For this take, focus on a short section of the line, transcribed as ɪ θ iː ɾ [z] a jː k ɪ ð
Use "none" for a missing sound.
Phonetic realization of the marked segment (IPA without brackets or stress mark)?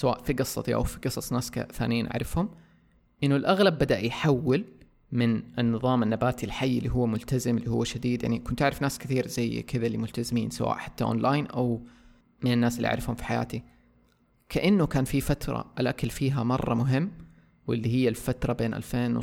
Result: z